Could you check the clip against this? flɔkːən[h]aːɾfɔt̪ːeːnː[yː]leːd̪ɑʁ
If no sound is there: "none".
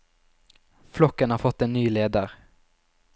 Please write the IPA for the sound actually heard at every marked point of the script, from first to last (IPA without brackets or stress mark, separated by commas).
h, yː